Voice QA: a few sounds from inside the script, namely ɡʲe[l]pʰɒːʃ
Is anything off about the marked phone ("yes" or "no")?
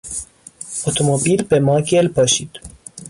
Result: no